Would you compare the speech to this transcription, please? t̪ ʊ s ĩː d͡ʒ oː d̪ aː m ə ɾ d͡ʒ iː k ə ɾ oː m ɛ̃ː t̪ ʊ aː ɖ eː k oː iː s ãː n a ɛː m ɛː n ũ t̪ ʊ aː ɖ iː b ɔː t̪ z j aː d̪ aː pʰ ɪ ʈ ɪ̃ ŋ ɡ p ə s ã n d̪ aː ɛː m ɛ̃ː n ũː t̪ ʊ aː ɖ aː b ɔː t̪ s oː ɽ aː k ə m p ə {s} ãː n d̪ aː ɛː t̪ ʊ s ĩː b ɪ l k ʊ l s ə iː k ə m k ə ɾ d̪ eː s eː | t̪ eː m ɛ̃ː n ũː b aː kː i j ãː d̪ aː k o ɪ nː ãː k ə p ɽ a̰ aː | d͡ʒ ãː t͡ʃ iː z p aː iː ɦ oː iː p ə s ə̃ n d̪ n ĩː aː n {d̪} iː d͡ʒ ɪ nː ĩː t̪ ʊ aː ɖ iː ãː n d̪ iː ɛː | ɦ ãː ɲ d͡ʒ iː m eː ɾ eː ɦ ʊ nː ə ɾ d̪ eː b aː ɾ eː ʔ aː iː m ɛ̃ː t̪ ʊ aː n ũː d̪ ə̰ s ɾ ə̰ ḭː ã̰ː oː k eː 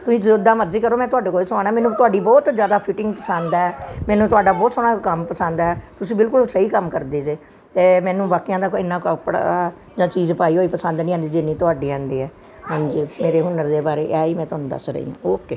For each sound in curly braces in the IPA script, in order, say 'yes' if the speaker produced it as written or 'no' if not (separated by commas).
yes, yes